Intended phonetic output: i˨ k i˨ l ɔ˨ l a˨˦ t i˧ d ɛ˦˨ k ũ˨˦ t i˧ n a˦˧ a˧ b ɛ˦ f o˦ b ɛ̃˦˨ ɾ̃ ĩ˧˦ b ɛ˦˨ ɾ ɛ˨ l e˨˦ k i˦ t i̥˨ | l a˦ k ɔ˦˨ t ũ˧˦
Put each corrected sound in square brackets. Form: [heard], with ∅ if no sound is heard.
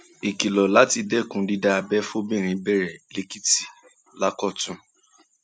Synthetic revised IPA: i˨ k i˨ l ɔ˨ l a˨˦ t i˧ d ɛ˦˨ k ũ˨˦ [d] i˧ [d] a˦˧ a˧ b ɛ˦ f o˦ b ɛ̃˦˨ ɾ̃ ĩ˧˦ b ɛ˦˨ ɾ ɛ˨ l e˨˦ k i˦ t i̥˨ | l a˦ k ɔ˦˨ t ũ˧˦